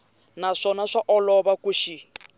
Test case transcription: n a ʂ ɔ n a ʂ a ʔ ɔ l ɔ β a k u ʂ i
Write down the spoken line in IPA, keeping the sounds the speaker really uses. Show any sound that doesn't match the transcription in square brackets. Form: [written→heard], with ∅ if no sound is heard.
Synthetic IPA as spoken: n a ʂ ɔ n a ʂ a ʔ ɔ l ɔ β a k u [ʂ→ʃ] i